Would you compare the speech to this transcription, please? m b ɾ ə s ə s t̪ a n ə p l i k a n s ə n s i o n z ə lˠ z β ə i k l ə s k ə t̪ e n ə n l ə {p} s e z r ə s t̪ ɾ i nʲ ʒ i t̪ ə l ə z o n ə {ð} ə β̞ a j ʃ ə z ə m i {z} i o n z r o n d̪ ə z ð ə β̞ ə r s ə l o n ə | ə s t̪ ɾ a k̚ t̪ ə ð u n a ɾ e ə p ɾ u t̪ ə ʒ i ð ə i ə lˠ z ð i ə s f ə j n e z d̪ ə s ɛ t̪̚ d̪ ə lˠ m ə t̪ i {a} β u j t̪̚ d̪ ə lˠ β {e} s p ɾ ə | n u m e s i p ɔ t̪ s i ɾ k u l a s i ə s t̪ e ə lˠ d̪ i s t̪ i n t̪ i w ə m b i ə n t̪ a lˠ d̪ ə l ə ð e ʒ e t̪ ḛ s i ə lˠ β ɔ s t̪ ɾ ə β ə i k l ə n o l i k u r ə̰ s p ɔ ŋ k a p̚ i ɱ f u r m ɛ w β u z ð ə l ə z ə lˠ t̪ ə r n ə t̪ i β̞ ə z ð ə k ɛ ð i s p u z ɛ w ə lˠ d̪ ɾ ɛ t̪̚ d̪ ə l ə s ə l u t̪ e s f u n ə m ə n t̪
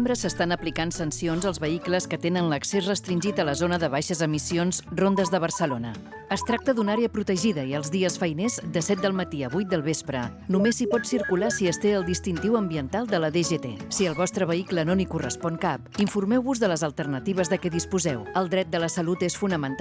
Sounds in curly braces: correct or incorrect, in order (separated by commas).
incorrect, correct, incorrect, incorrect, correct